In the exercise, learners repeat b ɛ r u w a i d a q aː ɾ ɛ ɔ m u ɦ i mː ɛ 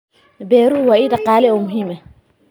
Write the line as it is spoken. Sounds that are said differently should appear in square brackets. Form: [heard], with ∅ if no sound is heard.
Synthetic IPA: b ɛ [ɾ] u w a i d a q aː [l] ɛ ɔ m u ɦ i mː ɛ